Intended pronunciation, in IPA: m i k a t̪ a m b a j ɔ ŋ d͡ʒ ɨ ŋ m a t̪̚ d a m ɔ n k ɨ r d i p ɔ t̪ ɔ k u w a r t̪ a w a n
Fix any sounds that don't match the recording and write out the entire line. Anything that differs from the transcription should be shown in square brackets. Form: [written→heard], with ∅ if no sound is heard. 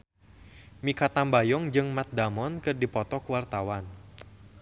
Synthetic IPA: m i k a t̪ a m b a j ɔ ŋ d͡ʒ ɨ ŋ m a t̪̚ d a m ɔ n k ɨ r d i p ɔ t̪ ɔ k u w a r t̪ a w a n